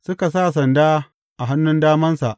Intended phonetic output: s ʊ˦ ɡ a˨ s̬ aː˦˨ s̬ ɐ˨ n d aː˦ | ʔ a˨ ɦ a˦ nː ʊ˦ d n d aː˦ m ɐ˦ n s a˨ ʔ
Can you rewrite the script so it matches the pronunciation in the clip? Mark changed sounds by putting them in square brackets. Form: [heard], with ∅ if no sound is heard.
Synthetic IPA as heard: s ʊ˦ [k] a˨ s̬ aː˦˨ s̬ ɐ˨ n d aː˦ | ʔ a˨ ɦ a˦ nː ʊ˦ [∅] n d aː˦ m ɐ˦ n s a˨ ʔ